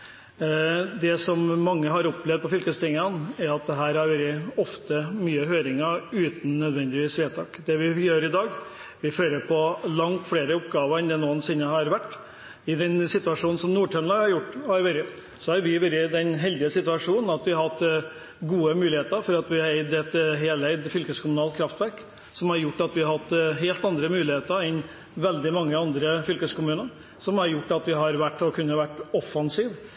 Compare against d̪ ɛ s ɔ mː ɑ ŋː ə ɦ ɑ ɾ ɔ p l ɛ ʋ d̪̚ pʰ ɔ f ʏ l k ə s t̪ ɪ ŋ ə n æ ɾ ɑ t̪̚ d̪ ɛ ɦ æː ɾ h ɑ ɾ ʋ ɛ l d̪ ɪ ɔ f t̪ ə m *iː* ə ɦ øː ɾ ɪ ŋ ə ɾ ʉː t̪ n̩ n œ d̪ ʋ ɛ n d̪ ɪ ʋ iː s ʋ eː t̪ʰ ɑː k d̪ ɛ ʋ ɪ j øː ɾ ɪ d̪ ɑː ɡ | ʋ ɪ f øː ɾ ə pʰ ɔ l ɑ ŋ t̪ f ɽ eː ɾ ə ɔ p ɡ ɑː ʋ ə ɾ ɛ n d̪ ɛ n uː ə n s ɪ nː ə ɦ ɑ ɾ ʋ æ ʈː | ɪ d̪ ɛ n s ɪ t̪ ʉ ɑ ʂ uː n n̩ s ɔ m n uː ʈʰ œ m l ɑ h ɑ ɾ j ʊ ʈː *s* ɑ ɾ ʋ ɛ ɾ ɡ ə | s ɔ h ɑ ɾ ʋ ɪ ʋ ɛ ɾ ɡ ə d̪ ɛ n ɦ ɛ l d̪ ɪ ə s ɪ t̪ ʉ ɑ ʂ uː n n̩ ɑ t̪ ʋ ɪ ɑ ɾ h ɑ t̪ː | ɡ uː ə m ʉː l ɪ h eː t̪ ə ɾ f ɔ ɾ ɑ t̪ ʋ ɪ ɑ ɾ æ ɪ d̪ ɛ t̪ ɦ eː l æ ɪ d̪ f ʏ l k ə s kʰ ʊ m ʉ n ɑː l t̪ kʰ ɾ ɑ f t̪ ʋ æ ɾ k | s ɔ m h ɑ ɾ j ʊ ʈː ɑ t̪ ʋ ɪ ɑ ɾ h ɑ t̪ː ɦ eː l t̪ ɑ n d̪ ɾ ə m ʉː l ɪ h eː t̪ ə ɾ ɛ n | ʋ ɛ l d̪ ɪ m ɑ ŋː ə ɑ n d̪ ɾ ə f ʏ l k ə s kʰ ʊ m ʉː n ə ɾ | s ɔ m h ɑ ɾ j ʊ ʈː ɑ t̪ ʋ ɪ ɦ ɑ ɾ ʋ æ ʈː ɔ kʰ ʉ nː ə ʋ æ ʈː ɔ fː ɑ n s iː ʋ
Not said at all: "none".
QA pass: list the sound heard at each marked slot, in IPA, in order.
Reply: yː, h

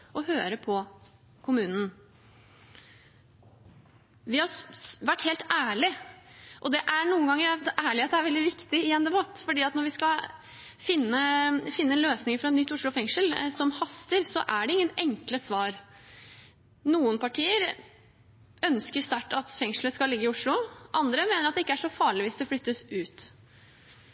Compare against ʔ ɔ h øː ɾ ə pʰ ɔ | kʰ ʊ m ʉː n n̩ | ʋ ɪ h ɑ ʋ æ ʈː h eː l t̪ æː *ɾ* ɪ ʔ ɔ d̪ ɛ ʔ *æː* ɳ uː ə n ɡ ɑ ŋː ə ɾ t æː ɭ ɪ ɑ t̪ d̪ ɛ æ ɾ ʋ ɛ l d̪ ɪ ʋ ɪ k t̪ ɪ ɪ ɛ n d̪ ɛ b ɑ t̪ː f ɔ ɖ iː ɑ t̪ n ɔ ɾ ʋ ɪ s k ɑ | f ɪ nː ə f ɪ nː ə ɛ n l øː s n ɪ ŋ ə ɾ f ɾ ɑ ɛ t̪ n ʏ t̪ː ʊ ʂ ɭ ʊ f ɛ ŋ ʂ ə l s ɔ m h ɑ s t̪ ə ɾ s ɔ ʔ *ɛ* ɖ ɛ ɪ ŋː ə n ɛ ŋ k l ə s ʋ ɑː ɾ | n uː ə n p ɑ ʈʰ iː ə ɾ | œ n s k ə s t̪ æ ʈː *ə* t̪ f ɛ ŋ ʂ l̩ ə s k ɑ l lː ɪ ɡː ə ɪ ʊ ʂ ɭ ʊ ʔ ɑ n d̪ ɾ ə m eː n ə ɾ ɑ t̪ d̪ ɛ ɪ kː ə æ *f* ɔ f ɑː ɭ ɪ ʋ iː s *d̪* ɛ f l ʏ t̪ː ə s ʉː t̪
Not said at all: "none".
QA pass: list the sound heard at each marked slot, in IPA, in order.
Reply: ɭ, æ, æ, ɑ, ʂ, d̪

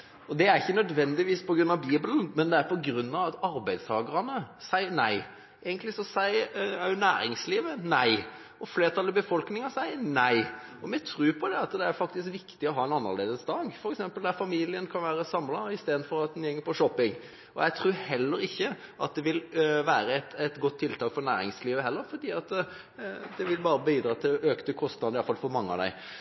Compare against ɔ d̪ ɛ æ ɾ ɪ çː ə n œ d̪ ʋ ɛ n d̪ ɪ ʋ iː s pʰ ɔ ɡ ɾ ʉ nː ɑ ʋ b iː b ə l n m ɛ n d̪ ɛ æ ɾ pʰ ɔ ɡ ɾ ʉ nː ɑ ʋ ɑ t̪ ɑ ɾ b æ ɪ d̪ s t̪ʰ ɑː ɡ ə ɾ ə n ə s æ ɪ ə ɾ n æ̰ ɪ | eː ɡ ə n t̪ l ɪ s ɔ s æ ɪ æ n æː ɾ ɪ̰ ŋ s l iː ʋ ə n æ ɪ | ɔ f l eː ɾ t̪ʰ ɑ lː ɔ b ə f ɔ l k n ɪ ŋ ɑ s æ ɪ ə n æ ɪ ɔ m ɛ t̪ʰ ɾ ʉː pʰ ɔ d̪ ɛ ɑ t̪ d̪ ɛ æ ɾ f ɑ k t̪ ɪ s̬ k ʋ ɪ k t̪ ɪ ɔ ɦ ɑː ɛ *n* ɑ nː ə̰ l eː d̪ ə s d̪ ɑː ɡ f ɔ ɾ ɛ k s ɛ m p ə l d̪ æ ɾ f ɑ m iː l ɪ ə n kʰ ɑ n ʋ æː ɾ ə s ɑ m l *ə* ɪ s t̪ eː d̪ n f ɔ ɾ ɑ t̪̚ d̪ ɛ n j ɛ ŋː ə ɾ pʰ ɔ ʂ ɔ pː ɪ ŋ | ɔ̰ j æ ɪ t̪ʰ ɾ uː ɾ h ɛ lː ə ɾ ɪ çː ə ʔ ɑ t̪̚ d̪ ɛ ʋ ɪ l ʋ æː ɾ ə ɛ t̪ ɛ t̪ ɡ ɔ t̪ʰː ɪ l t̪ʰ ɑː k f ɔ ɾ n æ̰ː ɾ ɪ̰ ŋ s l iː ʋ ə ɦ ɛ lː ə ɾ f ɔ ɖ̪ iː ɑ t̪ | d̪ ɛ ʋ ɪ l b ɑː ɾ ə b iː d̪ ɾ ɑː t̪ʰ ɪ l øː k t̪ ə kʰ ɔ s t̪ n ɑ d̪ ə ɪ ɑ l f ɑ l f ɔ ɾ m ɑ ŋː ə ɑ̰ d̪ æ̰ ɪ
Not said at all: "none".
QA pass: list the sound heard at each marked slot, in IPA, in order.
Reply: n, ɑ

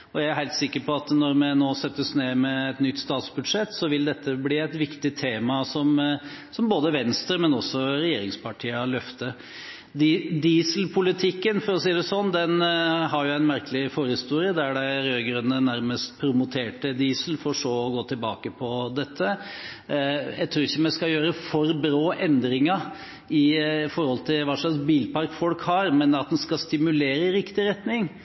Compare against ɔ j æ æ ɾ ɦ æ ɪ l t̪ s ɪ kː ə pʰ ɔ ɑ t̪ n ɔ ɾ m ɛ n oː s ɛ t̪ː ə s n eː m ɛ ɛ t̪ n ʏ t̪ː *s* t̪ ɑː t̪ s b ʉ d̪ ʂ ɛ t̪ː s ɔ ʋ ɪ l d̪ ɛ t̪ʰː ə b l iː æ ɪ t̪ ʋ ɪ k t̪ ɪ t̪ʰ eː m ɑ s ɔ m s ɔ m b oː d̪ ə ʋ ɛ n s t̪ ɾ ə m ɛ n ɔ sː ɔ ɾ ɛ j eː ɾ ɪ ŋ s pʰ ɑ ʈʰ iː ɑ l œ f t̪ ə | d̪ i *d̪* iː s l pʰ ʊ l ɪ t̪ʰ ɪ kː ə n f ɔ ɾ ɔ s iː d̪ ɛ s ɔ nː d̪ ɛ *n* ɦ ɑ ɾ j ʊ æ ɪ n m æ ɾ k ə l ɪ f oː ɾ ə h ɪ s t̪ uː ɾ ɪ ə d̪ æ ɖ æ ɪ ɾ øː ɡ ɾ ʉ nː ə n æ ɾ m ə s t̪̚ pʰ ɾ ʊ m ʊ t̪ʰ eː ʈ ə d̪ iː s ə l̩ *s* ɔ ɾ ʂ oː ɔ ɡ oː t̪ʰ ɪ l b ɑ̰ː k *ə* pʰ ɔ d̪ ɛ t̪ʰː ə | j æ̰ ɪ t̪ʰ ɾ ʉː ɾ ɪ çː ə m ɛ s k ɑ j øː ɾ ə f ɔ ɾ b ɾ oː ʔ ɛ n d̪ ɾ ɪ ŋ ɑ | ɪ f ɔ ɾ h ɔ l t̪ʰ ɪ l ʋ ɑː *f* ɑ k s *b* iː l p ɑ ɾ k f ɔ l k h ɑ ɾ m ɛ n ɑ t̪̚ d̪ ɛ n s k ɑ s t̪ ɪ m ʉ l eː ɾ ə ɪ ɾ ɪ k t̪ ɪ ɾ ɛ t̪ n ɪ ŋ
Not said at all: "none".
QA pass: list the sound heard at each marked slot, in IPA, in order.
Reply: s, d̪, n, f, ə, ʂ, b

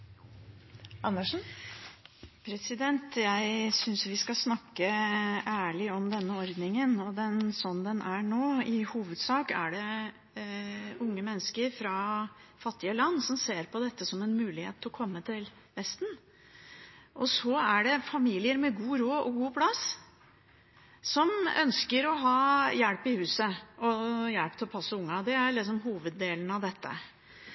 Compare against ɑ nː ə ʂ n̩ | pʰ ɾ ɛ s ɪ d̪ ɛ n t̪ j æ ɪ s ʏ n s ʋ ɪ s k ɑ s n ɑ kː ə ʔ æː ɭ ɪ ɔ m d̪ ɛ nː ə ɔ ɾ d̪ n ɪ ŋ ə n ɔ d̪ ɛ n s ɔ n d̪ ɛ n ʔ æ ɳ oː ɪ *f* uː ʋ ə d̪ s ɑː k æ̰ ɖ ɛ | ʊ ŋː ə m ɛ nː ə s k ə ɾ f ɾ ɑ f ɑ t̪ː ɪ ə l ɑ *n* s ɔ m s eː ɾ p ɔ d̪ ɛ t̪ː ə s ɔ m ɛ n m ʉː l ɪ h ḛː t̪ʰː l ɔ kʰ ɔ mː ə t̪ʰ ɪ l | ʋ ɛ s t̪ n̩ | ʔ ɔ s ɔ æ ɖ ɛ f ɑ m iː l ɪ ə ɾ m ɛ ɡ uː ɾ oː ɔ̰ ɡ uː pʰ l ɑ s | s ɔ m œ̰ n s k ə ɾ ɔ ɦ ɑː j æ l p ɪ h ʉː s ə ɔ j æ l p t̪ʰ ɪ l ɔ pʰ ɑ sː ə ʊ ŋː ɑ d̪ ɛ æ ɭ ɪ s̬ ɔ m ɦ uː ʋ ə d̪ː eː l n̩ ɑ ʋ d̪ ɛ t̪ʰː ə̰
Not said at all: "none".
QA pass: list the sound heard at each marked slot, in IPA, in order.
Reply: h, nː

